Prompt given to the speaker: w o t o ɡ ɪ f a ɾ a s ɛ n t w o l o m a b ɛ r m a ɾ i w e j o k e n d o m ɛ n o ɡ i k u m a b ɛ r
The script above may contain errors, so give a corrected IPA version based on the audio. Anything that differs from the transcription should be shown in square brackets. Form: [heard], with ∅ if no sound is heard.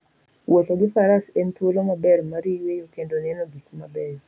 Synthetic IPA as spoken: w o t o ɡ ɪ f a ɾ a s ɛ n t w o l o m a b ɛ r m a ɾ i w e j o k e n d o [n] ɛ n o ɡ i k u m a b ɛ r